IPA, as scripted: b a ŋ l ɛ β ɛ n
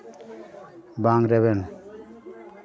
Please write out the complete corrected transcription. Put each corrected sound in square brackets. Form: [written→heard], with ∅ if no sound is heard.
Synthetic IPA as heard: b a ŋ [l→ɾ] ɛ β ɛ n